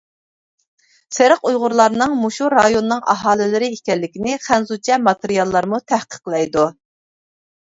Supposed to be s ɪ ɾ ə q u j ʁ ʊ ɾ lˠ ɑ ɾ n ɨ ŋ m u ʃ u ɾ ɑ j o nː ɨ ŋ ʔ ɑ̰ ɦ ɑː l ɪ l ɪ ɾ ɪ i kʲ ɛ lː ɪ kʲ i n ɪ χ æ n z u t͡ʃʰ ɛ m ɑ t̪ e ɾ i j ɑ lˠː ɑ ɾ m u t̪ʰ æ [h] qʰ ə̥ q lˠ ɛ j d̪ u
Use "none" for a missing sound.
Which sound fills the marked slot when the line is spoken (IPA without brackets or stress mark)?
h